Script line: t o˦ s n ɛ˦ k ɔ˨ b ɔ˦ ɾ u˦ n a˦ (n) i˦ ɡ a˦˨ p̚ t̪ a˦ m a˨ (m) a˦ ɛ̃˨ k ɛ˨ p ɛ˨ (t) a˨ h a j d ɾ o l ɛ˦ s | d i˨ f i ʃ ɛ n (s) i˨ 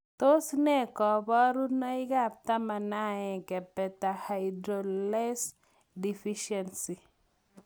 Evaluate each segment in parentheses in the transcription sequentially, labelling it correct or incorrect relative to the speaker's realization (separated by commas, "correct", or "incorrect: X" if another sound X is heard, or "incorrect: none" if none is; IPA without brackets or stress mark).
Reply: incorrect: none, incorrect: n, correct, correct